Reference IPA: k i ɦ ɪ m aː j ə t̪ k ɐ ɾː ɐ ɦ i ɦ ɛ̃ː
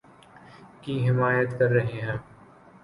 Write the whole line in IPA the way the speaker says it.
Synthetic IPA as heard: k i ɦ ɪ m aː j ə t̪ k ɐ ɾː ɐ ɦ e ɦ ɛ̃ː